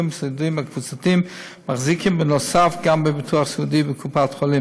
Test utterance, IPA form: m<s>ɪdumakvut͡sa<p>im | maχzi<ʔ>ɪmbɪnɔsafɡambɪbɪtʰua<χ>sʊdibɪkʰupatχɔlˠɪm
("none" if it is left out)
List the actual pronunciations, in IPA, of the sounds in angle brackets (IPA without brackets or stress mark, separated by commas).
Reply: s, t, k, χ